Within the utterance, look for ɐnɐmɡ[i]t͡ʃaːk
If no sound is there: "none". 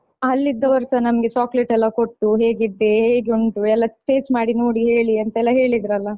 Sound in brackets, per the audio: e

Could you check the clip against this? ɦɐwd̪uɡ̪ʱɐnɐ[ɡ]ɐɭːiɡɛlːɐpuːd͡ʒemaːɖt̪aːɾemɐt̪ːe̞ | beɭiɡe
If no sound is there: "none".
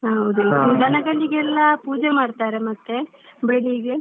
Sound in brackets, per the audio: ɡ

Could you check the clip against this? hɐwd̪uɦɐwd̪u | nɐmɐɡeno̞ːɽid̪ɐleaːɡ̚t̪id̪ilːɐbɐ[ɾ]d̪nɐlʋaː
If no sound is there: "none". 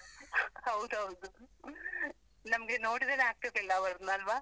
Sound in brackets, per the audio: ɾ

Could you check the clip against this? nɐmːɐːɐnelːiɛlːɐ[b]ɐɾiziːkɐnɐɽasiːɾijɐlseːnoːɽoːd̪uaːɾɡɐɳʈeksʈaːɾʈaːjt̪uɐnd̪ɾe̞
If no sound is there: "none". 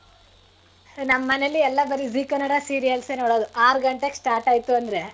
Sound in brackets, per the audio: b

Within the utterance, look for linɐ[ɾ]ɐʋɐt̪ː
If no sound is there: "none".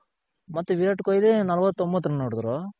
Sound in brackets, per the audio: l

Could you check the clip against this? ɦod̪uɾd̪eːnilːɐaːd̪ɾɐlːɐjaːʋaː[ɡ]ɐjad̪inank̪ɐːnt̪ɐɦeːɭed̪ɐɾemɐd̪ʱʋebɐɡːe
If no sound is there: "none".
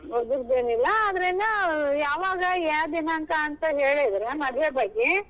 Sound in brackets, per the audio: ɡ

